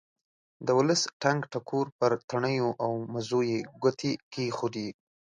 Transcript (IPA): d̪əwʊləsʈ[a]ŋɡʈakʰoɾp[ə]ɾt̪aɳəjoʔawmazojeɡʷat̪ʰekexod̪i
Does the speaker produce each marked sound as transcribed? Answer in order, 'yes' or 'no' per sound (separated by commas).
yes, yes